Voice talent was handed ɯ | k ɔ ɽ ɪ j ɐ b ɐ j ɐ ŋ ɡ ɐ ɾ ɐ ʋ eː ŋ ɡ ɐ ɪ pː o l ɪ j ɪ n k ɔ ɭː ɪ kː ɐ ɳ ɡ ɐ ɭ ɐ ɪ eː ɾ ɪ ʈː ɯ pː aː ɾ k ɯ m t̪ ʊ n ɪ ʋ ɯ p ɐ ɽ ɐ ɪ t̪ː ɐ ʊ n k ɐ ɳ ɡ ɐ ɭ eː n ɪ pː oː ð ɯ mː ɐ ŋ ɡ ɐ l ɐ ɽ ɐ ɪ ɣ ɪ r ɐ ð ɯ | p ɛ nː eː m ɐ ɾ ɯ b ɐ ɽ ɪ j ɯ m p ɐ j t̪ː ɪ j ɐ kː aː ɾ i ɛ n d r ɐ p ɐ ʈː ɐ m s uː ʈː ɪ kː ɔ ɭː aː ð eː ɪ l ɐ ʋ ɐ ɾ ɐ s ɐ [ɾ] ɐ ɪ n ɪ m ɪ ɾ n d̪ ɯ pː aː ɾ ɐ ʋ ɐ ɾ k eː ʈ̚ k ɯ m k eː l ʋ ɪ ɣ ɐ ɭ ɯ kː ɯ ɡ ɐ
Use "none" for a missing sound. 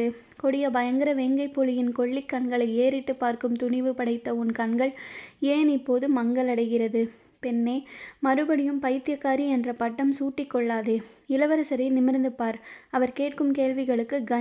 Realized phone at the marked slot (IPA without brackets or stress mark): ɾ